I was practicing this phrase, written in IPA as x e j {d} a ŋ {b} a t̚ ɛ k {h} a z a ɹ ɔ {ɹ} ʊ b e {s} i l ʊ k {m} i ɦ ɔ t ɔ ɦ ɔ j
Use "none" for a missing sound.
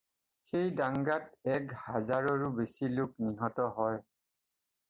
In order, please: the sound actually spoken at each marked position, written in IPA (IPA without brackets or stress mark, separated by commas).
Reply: d, ɡ, h, ɹ, s, n